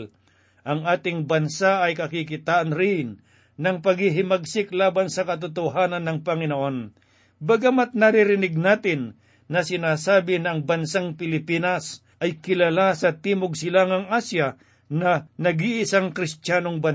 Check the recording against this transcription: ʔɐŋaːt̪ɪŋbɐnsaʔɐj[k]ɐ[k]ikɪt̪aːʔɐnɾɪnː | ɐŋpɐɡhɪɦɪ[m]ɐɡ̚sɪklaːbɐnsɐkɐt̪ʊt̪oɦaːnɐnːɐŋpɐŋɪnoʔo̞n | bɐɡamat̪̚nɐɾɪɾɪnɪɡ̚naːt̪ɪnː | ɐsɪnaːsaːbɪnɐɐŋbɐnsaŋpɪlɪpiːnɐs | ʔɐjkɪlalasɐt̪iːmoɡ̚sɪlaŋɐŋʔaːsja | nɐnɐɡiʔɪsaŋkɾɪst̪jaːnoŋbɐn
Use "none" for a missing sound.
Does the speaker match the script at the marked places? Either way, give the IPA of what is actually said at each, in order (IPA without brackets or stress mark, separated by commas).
k, k, m